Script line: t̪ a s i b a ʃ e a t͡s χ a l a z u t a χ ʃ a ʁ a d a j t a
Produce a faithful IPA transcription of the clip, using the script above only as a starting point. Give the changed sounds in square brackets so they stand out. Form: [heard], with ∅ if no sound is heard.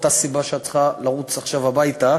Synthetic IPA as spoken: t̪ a s i b a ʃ e a t͡s χ a l a [ʁ] u [t͡s] a χ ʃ a [v] a [b] a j t a